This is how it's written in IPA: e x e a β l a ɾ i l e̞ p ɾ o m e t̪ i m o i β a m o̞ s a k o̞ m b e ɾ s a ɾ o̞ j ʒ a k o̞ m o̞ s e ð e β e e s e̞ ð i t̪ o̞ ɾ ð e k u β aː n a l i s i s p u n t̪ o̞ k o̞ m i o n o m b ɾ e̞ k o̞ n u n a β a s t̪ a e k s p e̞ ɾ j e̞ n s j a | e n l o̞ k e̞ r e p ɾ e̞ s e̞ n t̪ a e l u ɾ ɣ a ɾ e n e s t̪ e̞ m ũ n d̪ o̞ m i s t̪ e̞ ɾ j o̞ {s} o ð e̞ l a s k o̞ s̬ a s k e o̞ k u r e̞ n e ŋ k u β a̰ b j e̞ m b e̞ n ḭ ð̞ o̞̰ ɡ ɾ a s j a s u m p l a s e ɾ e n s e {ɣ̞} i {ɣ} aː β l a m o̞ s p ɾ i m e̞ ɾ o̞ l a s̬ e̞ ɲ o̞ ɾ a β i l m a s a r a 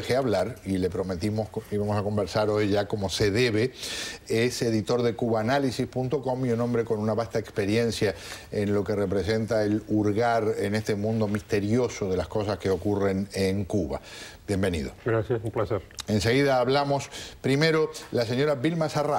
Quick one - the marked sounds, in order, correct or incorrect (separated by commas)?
correct, correct, incorrect